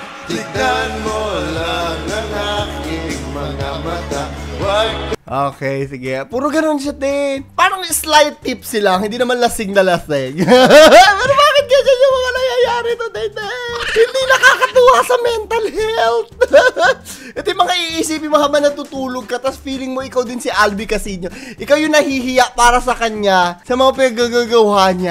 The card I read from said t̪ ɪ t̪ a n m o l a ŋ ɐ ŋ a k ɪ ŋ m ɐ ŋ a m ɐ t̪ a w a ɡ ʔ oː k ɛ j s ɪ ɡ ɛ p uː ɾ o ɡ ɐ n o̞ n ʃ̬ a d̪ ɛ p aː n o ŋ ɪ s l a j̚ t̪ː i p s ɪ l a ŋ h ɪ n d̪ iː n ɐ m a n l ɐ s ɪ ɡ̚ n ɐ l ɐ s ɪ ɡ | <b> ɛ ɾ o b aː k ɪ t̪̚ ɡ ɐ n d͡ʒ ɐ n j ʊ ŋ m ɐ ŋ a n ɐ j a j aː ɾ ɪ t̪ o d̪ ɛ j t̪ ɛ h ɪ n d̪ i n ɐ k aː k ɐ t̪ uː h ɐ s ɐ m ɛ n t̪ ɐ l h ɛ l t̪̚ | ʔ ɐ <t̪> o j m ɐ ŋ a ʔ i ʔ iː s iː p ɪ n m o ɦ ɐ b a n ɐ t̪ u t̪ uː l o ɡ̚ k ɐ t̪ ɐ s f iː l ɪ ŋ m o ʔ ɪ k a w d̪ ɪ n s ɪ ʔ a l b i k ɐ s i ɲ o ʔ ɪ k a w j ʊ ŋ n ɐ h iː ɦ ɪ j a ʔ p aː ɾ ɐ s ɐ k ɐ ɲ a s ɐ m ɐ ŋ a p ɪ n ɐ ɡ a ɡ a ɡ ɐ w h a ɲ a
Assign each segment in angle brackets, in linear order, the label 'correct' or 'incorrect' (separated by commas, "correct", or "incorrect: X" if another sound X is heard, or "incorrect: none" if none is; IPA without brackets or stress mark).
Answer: incorrect: p, correct